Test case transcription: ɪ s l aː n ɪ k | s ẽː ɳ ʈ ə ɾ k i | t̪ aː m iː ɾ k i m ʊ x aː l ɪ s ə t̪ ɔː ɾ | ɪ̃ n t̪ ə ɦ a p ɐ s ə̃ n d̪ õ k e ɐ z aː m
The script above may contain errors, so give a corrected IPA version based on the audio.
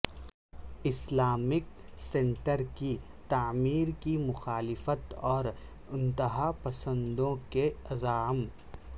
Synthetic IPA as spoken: ɪ s l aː m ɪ k | s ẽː ɳ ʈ ə ɾ k i | t̪ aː m iː ɾ k i m ʊ x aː l ɪ f ə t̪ ɔː ɾ | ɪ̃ n t̪ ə ɦ a p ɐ s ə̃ n d̪ õ k e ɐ z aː m

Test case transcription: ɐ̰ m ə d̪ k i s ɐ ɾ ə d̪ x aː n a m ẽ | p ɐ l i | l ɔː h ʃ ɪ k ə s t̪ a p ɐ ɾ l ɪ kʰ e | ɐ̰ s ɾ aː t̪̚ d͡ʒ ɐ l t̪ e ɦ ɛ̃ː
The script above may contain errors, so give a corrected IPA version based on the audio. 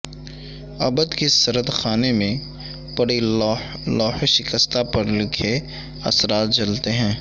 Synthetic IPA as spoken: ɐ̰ b ə d̪ k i s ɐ ɾ ə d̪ x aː n e m ẽ | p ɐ ɽ i | l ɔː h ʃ ɪ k ə s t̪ a p ɐ ɾ l ɪ kʰ e | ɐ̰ s ɾ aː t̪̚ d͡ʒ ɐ l t̪ e ɦ ɛ̃ː

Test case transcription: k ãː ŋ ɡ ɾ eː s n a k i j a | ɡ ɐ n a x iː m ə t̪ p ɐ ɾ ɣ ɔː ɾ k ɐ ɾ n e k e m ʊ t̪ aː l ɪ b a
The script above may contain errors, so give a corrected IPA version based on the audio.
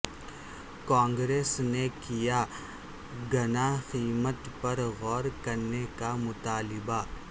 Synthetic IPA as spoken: k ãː ŋ ɡ ɾ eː s n e k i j a | ɡ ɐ n a x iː m ə t̪ p ɐ ɾ ɣ ɔː ɾ k ɐ ɾ n e k a m ʊ t̪ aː l ɪ b a

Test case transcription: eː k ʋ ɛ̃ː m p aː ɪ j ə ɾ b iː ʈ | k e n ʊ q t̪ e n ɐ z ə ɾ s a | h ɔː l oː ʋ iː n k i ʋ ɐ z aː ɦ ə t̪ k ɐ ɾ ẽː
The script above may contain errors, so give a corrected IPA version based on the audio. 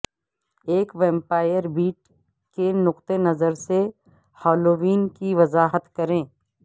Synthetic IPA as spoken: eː k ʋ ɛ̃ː m p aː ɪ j ə ɾ b iː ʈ | k e n ʊ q t̪ e n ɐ z ə ɾ s e | h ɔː l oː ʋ iː n k i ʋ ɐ z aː ɦ ə t̪ k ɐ ɾ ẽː

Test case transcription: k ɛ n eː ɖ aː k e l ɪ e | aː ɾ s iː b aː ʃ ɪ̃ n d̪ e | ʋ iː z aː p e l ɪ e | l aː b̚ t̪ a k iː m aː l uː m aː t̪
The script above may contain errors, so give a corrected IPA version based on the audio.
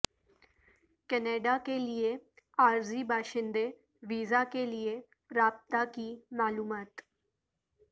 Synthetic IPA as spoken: k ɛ n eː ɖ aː k e l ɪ e | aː ɾ z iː b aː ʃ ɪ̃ n d̪ e | ʋ iː z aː k e l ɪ e | ɾ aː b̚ t̪ a k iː m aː l uː m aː t̪

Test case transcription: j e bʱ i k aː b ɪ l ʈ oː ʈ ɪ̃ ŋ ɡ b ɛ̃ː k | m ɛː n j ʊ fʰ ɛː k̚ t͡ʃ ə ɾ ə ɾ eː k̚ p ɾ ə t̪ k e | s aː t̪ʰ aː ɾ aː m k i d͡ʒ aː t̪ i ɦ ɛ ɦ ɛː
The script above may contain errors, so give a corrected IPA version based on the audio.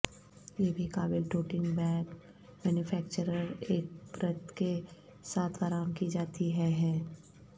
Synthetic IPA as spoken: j e bʱ i k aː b ɪ l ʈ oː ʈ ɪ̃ ŋ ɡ b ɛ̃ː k | m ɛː n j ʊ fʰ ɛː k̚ t͡ʃ ə ɾ ə ɾ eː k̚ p ɾ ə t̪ k e | s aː t̪ʰ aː ɾ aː m k i d͡ʒ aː t̪ i ɦ ɛ ɦ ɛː

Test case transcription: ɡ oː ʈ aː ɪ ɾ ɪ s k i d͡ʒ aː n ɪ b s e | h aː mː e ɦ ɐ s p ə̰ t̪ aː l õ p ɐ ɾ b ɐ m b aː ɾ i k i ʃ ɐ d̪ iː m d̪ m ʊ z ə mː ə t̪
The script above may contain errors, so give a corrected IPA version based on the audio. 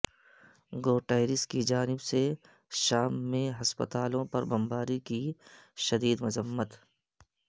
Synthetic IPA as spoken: ɡ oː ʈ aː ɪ ɾ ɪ s k i d͡ʒ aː n ɪ b s e | ʃ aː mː ẽ ɦ ɐ s p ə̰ t̪ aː l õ p ɐ ɾ b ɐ m b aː ɾ i k i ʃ ɐ d̪ iː d̪ m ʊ z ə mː ə t̪

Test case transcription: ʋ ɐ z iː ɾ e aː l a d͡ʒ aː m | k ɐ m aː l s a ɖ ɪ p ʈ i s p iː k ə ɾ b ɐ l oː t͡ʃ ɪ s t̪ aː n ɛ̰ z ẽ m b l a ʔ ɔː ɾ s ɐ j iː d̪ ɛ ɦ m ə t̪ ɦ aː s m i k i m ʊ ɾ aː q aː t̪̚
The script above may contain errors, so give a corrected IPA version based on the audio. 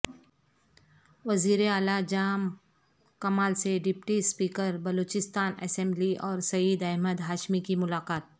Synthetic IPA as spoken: ʋ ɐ z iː ɾ e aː l a d͡ʒ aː m | k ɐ m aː l s e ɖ ɪ p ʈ i s p iː k ə ɾ b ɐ l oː t͡ʃ ɪ s t̪ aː n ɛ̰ s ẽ m b l i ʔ ɔː ɾ s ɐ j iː d̪ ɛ ɦ m ə d̪ ɦ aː ʃ m i k i m ʊ l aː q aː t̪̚

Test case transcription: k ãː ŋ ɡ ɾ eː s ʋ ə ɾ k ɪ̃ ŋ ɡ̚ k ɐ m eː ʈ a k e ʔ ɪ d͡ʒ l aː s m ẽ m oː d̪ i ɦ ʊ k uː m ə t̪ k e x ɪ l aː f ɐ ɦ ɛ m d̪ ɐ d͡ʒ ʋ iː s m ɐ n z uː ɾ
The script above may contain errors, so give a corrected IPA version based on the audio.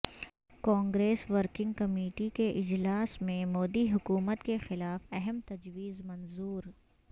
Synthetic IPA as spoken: k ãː ŋ ɡ ɾ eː s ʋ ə ɾ k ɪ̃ ŋ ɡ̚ k ɐ m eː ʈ i k e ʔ ɪ d͡ʒ l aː s m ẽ m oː d̪ i ɦ ʊ k uː m ə t̪ k e x ɪ l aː f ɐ ɦ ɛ m t̪ ɐ d͡ʒ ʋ iː z m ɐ n z uː ɾ

